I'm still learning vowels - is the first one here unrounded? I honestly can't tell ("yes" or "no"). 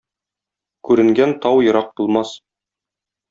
no